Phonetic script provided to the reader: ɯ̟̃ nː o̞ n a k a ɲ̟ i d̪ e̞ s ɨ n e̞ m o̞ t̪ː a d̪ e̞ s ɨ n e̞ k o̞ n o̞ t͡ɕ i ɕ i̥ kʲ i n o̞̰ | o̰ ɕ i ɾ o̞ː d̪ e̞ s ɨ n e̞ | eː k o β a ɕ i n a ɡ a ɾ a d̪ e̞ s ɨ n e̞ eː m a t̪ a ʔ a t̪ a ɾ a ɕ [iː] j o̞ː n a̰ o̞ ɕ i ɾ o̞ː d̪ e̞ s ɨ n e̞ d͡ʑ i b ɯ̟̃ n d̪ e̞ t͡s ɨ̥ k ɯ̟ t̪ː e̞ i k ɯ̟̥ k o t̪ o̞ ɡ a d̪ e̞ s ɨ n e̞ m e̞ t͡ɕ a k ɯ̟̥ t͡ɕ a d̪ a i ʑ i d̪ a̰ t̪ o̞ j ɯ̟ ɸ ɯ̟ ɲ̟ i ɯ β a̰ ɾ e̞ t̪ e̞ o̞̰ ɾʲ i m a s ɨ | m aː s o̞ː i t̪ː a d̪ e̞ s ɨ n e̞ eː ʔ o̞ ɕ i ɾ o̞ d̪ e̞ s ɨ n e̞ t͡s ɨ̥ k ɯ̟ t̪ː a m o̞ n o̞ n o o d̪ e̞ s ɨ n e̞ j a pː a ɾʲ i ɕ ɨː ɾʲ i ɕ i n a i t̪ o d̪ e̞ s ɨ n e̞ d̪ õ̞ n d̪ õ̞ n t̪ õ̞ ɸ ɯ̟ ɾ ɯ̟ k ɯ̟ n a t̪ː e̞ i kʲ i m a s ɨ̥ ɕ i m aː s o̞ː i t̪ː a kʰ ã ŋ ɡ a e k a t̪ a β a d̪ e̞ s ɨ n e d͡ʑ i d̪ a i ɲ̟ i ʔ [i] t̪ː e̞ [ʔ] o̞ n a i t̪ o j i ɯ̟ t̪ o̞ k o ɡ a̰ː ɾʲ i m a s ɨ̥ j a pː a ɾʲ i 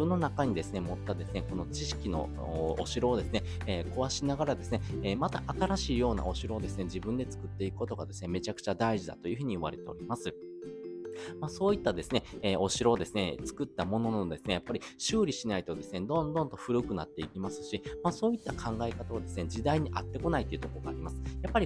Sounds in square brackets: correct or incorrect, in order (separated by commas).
correct, incorrect, incorrect